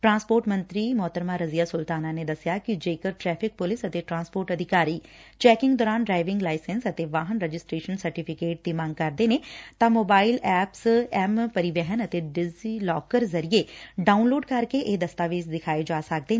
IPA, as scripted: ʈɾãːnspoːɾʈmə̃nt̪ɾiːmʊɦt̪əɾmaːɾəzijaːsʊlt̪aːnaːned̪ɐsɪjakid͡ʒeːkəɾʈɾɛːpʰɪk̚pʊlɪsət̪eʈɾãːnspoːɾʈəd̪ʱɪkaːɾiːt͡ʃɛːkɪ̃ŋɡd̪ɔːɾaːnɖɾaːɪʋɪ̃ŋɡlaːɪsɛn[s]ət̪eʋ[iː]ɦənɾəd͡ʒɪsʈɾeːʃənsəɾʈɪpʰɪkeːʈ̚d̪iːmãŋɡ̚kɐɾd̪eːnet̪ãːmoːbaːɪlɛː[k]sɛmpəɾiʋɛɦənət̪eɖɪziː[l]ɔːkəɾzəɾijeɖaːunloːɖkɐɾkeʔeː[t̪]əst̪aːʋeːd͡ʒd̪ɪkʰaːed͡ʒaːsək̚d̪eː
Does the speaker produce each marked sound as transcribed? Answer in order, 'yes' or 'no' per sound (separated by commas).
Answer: yes, no, no, yes, no